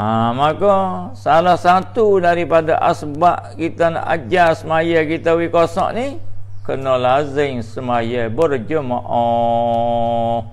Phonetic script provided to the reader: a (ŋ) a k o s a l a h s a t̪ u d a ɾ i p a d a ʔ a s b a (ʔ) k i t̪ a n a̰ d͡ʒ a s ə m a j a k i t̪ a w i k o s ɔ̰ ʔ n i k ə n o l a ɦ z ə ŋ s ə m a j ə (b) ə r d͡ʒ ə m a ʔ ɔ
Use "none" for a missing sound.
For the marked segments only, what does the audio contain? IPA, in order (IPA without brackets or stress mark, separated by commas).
m, ʔ, b